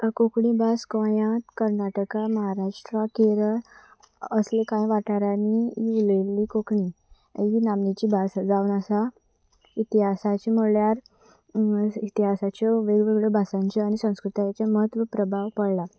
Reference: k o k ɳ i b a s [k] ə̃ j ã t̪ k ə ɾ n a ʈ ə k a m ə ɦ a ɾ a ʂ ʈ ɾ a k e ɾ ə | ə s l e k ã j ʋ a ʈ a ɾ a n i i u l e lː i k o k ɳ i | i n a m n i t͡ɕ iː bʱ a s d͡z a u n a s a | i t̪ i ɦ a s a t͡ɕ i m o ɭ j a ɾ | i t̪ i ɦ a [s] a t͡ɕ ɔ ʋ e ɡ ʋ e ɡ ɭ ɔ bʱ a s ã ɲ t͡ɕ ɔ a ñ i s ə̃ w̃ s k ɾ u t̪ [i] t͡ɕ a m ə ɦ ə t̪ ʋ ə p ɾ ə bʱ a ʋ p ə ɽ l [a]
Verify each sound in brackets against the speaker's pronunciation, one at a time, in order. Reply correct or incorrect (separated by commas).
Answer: correct, correct, incorrect, correct